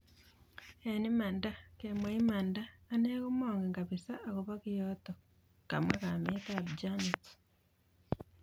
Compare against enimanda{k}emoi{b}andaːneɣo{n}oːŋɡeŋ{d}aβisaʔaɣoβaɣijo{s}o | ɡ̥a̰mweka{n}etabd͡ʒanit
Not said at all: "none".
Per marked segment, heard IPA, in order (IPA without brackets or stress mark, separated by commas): k, m, m, ɡ, t, m